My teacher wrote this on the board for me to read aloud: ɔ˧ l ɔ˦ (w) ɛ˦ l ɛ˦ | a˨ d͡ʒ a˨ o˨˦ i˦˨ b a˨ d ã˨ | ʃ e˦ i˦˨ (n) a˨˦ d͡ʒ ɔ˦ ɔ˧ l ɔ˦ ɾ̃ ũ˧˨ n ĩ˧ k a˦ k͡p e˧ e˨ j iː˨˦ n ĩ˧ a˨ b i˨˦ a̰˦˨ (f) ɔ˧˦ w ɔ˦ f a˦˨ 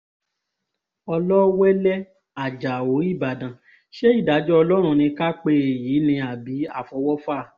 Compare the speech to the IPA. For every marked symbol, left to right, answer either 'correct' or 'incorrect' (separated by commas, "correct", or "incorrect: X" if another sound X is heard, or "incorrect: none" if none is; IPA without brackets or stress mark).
correct, incorrect: d, correct